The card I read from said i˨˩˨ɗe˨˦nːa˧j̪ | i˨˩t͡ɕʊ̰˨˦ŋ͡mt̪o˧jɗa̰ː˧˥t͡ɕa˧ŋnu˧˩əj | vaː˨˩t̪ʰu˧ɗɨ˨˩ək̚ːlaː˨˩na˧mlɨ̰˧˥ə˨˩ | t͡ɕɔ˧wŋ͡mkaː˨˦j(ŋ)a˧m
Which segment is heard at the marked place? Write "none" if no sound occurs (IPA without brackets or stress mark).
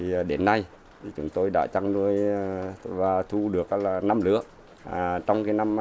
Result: n